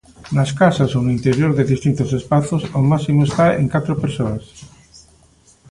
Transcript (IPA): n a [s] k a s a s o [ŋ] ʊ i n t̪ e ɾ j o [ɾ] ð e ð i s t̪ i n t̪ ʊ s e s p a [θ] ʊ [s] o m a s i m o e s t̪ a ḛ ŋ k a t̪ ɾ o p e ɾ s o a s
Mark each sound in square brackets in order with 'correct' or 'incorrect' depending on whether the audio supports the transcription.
correct, incorrect, correct, correct, correct

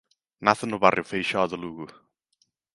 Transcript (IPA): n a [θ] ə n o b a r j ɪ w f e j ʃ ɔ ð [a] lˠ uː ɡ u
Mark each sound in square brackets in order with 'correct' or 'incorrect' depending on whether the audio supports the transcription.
correct, incorrect

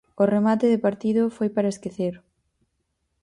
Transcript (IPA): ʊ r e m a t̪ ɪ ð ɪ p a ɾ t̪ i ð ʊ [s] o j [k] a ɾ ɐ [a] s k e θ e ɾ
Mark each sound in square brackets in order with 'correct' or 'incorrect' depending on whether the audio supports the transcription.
incorrect, incorrect, incorrect

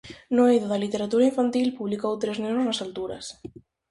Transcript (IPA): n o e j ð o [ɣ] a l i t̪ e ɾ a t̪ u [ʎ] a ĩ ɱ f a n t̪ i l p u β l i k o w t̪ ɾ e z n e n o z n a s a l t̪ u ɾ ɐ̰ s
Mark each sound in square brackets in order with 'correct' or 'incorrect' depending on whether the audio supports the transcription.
incorrect, incorrect

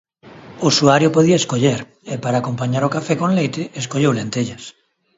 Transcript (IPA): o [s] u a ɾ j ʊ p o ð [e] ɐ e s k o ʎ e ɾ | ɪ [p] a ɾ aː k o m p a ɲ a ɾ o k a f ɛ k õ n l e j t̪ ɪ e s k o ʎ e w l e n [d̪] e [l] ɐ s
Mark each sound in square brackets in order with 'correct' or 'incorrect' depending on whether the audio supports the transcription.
correct, incorrect, correct, incorrect, incorrect

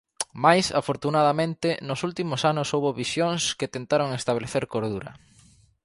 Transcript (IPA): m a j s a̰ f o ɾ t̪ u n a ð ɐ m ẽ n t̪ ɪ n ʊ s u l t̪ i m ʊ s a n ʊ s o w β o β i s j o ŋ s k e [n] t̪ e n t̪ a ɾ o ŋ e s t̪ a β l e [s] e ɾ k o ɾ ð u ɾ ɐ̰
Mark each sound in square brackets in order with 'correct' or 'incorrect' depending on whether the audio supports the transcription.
incorrect, incorrect

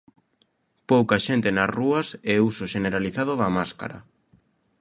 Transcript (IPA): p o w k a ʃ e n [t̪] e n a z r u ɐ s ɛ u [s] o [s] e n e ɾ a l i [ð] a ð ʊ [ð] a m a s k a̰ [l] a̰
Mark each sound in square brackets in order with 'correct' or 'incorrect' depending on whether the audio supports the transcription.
correct, correct, incorrect, incorrect, correct, incorrect

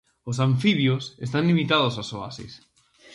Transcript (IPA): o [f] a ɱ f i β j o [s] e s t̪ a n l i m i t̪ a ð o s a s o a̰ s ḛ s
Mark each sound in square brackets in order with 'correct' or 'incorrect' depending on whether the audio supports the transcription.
incorrect, correct

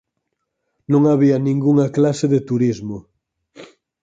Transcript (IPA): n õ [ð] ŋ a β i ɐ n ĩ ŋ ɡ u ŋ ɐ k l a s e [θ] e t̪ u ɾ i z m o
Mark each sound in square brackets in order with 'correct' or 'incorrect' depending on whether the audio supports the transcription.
incorrect, incorrect

